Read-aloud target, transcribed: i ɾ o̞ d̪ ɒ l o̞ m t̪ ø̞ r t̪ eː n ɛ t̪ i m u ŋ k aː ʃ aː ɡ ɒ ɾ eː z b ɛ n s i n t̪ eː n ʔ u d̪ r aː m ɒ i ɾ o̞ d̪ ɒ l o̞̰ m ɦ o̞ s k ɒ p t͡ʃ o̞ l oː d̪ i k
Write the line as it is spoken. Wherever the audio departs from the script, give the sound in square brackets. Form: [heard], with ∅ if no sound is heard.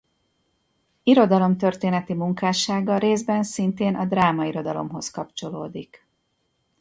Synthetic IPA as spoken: i ɾ o̞ d̪ ɒ l o̞ m t̪ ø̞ r t̪ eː n ɛ t̪ i m u ŋ k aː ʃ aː ɡ ɒ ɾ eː z b ɛ n s i n t̪ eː n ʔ [ɒ] d̪ r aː m ɒ i ɾ o̞ d̪ ɒ l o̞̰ m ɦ o̞ s k ɒ p t͡ʃ o̞ l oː d̪ i k

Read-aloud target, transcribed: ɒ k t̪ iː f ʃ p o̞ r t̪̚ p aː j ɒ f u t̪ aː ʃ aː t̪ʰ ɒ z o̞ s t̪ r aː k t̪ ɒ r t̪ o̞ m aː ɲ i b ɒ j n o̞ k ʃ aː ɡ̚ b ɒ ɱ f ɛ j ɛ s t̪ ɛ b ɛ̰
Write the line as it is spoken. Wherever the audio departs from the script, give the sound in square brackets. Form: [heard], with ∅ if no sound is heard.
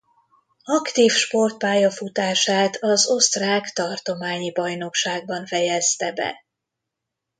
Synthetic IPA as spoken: ɒ k t̪ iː f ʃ p o̞ r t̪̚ p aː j ɒ f u t̪ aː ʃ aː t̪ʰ ɒ z o̞ s t̪ r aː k t̪ ɒ r t̪ o̞ m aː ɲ i b ɒ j n o̞ k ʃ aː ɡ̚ b ɒ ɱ f ɛ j ɛ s t̪ ɛ b ɛ̰

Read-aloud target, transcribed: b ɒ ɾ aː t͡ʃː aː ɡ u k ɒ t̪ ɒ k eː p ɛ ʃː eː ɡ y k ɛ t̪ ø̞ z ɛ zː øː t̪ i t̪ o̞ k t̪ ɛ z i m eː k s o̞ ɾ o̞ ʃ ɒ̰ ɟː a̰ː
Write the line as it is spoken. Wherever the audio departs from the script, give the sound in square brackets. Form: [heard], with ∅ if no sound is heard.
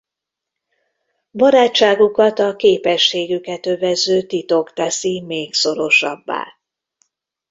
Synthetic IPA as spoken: b ɒ ɾ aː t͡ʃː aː ɡ u k ɒ t̪ ɒ k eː p ɛ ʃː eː ɡ y k ɛ t̪ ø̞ [v] ɛ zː øː t̪ i t̪ o̞ k t̪ ɛ [s] i m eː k s o̞ ɾ o̞ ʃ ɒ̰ [bː] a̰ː

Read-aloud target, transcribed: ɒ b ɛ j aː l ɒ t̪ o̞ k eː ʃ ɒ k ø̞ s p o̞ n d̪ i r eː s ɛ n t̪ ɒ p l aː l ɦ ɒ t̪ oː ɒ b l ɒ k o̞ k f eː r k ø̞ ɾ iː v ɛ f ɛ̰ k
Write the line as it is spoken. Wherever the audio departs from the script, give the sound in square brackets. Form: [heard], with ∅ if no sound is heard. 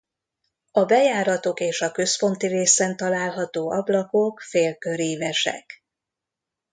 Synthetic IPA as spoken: ɒ b ɛ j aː [ɾ] ɒ t̪ o̞ k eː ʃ ɒ k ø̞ s p o̞ n [t̪] i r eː s ɛ n t̪ ɒ [∅] l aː l ɦ ɒ t̪ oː ɒ b l ɒ k o̞ k f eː [l] k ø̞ ɾ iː v ɛ [ʃ] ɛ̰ k

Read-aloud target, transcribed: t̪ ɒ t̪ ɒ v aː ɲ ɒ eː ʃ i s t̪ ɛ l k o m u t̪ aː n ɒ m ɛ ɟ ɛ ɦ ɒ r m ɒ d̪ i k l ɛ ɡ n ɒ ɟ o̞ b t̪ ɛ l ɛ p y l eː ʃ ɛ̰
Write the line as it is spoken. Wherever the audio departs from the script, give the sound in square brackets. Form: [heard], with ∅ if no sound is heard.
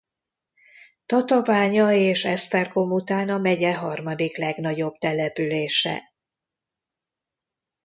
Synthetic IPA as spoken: t̪ ɒ t̪ ɒ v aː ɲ ɒ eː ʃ [ɛ] s t̪ ɛ [r] k o m u t̪ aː n ɒ m ɛ ɟ ɛ ɦ ɒ r m ɒ d̪ i k l ɛ ɡ n ɒ ɟ o̞ b t̪ ɛ l ɛ p y l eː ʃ ɛ̰

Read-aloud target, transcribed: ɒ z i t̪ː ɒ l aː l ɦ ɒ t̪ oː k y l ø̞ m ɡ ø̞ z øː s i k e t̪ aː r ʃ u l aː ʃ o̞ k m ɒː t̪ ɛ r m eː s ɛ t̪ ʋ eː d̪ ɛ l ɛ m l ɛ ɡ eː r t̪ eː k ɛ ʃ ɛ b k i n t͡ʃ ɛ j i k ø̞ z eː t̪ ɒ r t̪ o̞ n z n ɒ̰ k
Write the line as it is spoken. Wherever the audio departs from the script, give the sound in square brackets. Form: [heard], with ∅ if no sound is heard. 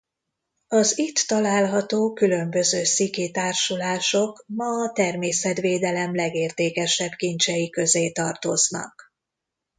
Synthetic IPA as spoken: ɒ z i t̪ː ɒ l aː l ɦ ɒ t̪ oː k y l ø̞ m [b] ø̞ z øː s i k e t̪ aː r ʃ u l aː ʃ o̞ k m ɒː t̪ ɛ r m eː s ɛ t̪ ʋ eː d̪ ɛ l ɛ m l ɛ ɡ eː r t̪ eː k ɛ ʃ ɛ b k i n t͡ʃ ɛ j i k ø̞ z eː t̪ ɒ r t̪ o̞ [∅] z n ɒ̰ k

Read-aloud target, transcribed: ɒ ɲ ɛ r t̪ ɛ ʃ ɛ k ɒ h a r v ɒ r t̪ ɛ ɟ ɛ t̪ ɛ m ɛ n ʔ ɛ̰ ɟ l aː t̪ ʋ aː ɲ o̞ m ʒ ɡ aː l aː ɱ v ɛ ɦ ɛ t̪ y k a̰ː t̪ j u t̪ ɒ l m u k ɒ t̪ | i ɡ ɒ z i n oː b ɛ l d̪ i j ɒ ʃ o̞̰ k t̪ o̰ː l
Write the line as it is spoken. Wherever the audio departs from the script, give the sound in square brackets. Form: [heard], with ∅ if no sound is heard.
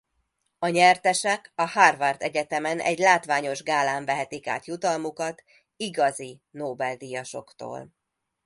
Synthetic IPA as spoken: ɒ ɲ ɛ r t̪ ɛ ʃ ɛ k ɒ h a r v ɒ r t̪ ɛ ɟ ɛ t̪ ɛ m ɛ n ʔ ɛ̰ ɟ l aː t̪ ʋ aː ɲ o̞ [∅] ʒ ɡ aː l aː ɱ v ɛ ɦ ɛ t̪ [i] k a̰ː t̪ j u t̪ ɒ l m u k ɒ t̪ | i ɡ ɒ z i n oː b ɛ l d̪ i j ɒ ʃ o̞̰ k t̪ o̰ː l

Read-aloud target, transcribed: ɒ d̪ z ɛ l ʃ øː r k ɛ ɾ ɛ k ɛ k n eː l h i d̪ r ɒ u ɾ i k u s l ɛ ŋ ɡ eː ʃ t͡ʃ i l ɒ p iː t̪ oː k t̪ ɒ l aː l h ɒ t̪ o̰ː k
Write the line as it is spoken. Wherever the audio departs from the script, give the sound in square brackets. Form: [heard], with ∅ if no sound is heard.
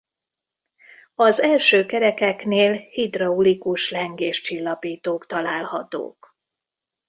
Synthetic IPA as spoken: ɒ [∅] z ɛ l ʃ øː [∅] k ɛ ɾ ɛ k ɛ k n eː l h i d̪ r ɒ u [l] i k u [ʃ] l ɛ ŋ ɡ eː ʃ t͡ʃ i [lː] ɒ p iː t̪ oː k t̪ ɒ l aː l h ɒ t̪ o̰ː k

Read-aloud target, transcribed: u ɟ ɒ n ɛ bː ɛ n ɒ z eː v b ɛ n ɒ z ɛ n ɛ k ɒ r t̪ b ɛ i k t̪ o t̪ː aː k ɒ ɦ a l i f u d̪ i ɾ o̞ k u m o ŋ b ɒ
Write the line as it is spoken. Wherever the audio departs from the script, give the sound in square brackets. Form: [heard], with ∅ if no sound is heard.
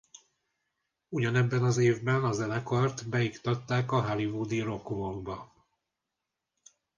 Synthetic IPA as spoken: u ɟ ɒ n ɛ bː ɛ n ɒ z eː v b ɛ n ɒ z ɛ n ɛ k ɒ r t̪ b ɛ i k t̪ [ɒ] t̪ː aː k ɒ ɦ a l i [v] u d̪ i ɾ o̞ k u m o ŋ b ɒ

